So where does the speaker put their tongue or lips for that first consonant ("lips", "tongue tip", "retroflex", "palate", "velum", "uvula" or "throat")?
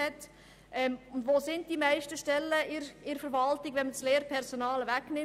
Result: tongue tip